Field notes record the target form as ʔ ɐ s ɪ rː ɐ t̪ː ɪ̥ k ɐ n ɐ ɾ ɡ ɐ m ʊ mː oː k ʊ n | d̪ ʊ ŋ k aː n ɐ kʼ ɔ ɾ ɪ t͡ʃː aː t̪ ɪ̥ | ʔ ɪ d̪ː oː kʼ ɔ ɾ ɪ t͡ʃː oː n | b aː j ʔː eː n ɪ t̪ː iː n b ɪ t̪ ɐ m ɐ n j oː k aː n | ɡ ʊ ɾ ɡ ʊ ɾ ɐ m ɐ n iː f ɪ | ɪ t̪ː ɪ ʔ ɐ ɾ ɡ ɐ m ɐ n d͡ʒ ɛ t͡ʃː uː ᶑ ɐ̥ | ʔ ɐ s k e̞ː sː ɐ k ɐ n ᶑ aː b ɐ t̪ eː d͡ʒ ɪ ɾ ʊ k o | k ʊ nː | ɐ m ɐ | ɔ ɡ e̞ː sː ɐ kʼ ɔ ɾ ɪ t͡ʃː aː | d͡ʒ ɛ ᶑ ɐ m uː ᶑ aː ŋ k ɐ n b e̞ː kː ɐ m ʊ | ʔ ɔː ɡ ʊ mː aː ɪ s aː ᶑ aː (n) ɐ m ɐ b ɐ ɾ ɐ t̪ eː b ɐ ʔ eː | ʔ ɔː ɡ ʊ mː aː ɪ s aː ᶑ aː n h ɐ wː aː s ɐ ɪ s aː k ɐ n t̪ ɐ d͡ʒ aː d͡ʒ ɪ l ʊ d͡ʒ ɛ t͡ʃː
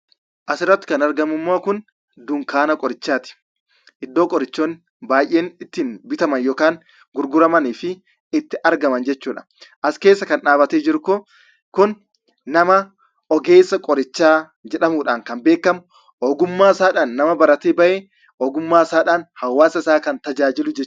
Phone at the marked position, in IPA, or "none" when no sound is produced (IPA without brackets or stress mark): nː